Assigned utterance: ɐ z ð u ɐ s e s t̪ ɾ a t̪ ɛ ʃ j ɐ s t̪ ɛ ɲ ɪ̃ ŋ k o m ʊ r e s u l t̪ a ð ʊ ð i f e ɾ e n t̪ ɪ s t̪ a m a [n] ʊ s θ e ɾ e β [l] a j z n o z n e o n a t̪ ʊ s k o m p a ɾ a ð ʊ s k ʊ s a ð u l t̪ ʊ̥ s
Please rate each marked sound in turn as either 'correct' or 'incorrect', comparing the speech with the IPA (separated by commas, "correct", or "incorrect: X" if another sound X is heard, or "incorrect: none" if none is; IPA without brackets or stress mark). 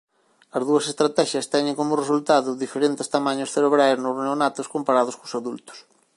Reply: incorrect: ɲ, incorrect: ɾ